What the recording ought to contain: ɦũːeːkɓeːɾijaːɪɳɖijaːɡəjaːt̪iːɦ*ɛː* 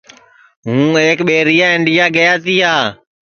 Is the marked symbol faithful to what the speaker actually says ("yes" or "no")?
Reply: no